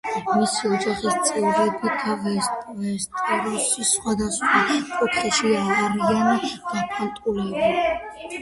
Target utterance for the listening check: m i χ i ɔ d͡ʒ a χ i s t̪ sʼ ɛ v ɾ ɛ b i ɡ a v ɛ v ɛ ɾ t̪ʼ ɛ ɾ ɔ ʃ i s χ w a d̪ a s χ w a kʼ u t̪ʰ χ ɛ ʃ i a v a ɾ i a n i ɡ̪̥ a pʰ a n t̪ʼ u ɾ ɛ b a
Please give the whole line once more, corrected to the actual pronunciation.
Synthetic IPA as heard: m i s i ɔ d͡ʒ a χ i s t̪ sʼ ɛ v ɾ ɛ b i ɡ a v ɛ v ɛ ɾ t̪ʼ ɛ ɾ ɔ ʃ i s χ w a d̪ a s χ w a kʼ u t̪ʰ χ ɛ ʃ i a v a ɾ i a n i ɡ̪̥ a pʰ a n t̪ʼ u l ɛ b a